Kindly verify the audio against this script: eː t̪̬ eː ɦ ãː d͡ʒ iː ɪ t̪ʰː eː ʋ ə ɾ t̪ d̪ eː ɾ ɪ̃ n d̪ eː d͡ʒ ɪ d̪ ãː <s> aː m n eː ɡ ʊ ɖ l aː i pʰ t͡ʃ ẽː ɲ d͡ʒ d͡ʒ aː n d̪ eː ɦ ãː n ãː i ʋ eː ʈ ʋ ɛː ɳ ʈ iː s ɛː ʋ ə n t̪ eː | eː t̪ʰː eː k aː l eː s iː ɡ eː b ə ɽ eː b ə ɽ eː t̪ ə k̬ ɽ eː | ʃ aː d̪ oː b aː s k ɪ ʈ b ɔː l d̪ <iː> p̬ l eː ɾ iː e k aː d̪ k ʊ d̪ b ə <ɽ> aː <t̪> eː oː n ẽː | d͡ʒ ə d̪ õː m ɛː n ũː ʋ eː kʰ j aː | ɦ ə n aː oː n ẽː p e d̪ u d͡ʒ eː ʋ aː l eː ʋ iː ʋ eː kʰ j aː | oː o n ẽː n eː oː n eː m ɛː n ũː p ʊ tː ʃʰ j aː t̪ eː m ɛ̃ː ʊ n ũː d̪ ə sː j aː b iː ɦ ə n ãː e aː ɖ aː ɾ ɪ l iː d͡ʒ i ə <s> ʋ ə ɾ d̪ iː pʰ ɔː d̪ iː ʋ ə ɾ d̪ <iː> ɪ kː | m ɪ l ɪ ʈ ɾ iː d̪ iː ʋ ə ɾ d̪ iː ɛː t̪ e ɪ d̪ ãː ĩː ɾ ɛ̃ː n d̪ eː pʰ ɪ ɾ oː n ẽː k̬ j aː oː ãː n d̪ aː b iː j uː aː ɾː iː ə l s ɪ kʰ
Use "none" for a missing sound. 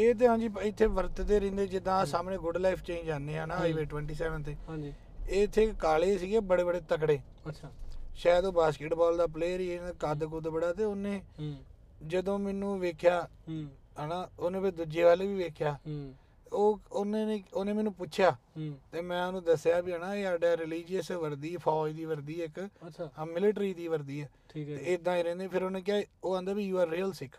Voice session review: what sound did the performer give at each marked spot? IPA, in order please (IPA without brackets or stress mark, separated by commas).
s, aː, ɽ, t̪, s, iː